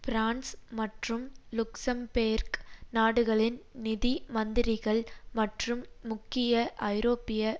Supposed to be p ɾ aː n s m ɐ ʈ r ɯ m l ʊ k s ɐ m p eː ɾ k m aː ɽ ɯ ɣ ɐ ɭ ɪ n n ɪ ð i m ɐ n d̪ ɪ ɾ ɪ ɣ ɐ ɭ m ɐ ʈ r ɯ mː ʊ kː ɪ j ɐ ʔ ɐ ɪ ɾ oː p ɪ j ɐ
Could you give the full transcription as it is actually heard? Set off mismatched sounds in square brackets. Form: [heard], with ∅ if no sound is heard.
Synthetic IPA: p ɾ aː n s m ɐ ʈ r ɯ m l ʊ k s ɐ m p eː ɾ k [n] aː ɽ ɯ ɣ ɐ ɭ ɪ n n ɪ ð i m ɐ n d̪ ɪ ɾ ɪ ɣ ɐ ɭ m ɐ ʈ r ɯ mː ʊ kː ɪ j ɐ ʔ ɐ ɪ ɾ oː p ɪ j ɐ

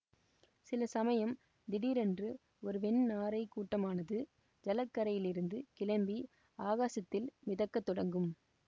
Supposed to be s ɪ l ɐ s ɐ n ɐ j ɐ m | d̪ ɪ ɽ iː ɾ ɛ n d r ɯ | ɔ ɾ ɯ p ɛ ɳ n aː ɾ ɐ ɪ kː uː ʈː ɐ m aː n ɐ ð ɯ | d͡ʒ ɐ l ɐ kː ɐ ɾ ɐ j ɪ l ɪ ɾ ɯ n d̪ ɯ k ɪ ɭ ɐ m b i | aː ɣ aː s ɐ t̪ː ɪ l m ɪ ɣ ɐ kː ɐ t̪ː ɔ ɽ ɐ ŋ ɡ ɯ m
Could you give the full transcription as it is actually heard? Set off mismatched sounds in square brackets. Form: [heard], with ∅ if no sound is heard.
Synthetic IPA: s ɪ l ɐ s ɐ [m] ɐ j ɐ m | d̪ ɪ ɽ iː ɾ ɛ n d r ɯ | ɔ ɾ ɯ p ɛ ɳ n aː ɾ ɐ ɪ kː uː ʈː ɐ m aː n ɐ ð ɯ | d͡ʒ ɐ l ɐ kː ɐ ɾ ɐ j ɪ l ɪ ɾ ɯ n d̪ ɯ k ɪ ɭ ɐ m b i | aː ɣ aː s ɐ t̪ː ɪ l m ɪ [ð] ɐ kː ɐ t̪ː ɔ ɽ ɐ ŋ ɡ ɯ m

